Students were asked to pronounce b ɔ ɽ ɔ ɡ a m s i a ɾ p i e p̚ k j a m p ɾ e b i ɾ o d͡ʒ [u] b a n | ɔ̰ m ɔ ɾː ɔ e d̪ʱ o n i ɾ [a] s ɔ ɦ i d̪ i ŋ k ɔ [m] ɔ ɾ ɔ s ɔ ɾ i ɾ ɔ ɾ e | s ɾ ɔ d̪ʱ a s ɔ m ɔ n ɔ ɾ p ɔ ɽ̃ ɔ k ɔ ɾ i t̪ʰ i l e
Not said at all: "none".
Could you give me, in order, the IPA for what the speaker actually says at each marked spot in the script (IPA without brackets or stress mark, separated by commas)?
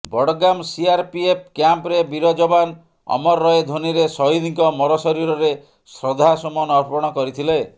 ɔ, e, m